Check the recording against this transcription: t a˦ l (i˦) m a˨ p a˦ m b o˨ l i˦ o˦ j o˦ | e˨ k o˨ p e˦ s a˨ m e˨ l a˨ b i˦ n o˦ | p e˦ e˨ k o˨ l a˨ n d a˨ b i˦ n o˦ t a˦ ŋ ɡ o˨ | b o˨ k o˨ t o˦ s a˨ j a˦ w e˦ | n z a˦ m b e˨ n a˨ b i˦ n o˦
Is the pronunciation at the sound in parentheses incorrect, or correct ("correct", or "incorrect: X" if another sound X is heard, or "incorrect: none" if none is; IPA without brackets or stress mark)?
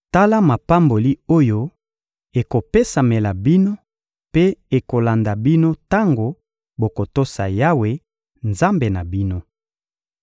incorrect: a˦